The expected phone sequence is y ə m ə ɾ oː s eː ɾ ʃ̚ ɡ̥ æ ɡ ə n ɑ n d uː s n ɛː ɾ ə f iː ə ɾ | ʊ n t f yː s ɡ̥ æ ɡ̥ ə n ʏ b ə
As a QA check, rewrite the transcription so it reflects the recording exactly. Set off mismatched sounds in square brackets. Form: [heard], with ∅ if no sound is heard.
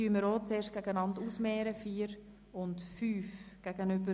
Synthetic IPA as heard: y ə m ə ɾ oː [t͡s] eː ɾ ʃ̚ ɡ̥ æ ɡ ə n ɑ n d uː s [m] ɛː ɾ ə f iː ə ɾ | ʊ n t f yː [f] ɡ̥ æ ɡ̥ ə n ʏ b ə

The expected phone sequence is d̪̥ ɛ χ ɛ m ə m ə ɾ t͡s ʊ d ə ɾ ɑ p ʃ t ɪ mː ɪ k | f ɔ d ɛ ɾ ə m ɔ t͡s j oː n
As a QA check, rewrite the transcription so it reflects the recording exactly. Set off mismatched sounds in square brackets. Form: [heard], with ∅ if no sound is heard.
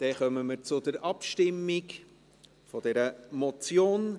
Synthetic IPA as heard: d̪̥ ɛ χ [œ] m ə m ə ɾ t͡s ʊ d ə ɾ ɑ p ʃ t ɪ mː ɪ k | f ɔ d ɛ ɾ ə m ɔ t͡s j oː n

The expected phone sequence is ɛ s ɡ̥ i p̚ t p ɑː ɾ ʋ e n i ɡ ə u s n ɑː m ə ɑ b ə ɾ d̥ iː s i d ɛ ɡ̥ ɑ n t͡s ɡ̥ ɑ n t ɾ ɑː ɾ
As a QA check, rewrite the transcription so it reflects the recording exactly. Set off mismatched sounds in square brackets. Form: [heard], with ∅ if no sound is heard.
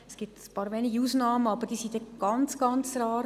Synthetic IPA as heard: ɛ s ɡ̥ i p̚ t p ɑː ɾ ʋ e n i ɡ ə u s n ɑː m ə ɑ b ə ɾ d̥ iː s i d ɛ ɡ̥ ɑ n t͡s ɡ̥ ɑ n [t͡s] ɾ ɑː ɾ

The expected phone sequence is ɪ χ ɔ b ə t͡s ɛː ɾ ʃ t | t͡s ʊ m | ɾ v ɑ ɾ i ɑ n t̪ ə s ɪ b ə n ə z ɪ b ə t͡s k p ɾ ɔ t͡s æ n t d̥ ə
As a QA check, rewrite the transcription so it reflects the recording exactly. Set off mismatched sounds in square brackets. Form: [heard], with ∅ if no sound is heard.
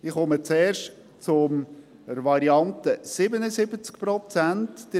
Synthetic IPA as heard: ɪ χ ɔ [m] ə t͡s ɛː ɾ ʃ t | t͡s ʊ m | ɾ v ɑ ɾ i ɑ n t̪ ə s ɪ b ə n ə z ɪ b ə t͡s k p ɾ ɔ t͡s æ n t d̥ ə

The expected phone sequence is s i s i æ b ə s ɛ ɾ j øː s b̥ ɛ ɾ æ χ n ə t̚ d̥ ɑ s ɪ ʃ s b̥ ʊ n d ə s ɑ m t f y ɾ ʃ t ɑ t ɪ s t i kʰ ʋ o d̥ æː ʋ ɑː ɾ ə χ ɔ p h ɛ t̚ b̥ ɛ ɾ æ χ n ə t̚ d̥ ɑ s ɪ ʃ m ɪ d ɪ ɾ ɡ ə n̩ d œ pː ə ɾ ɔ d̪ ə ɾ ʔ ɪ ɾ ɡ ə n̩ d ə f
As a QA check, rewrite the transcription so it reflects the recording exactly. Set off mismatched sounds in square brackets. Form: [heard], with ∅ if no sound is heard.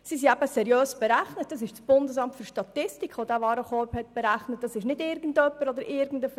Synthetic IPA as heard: s i s i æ b ə s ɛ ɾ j øː s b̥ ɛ ɾ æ χ n ə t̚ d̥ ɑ s ɪ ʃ s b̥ ʊ n d ə s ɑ m t f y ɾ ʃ t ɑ t ɪ s t i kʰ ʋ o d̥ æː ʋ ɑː ɾ ə χ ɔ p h ɛ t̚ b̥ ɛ ɾ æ χ n ə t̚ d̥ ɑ s ɪ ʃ [n] ɪ d ɪ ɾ ɡ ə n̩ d œ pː ə ɾ ɔ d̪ ə ɾ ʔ ɪ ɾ ɡ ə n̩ d ə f

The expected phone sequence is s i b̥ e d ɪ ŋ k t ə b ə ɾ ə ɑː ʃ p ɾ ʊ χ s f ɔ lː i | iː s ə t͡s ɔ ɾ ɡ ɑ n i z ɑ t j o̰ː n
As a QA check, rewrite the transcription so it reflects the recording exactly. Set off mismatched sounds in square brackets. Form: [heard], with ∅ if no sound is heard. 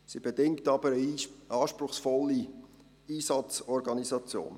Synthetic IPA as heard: s i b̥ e d ɪ ŋ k t [ɑ] b ə ɾ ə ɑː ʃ p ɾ ʊ χ s f ɔ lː i | iː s [ɑ] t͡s ɔ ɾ ɡ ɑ n i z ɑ [t͡s] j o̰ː n

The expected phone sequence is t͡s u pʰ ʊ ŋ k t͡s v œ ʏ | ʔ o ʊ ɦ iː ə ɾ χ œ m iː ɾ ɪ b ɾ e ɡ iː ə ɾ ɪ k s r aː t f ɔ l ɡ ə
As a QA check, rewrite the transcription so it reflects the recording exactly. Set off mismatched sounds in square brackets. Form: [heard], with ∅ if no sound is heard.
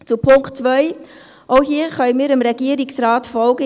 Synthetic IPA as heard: t͡s u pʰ ʊ ŋ k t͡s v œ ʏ | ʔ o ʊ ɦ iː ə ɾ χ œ m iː ɾ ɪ [m] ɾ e ɡ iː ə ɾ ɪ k s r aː t f ɔ l ɡ ə

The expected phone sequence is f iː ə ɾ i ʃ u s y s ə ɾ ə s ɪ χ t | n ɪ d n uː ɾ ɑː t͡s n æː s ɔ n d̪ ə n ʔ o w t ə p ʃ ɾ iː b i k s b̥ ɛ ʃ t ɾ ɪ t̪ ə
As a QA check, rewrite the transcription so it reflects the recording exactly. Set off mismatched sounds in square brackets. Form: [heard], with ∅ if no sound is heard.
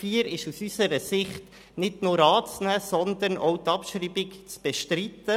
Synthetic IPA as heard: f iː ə ɾ [ɪ] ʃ u s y s ə ɾ ə s ɪ χ t | n ɪ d n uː ɾ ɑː t͡s n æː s ɔ n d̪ ə n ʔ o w t [ɑ] p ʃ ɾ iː b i k [t͡s] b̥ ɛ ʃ t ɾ [i] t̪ ə

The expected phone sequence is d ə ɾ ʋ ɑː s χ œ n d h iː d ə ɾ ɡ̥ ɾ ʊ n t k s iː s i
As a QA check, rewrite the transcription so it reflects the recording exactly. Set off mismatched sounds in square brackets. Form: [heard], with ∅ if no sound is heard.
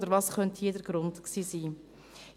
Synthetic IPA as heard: d ə ɾ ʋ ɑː s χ œ n [t] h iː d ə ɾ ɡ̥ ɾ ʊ n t k s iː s [iː]

